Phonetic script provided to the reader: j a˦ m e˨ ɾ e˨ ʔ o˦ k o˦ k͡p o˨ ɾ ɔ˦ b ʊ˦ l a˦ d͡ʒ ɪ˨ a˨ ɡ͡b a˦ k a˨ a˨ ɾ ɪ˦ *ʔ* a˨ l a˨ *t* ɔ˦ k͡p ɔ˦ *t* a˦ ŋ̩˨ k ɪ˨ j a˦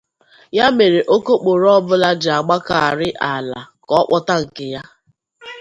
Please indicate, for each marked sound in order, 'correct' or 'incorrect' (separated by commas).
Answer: correct, incorrect, correct